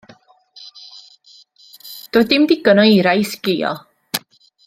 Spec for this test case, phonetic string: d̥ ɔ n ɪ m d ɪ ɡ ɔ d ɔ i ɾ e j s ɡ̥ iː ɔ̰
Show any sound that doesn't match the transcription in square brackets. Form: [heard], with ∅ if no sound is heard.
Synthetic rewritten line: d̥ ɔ [d] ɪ m d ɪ ɡ ɔ [n] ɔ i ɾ [a] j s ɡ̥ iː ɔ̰